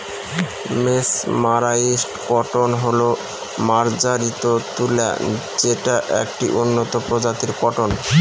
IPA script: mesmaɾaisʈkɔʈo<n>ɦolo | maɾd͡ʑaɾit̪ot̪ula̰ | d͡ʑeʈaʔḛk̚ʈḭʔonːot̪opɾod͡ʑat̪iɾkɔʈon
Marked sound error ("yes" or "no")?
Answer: no